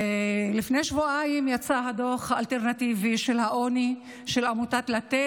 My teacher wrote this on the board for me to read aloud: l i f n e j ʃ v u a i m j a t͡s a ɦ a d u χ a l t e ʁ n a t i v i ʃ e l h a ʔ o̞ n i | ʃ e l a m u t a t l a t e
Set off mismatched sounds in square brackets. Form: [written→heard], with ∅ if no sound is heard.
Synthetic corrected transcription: l i f n e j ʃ v u a i m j a t͡s a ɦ a d [u→o] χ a l t e ʁ n a t i v i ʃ e l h a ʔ o̞ n i | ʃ e l a m u t a t l a t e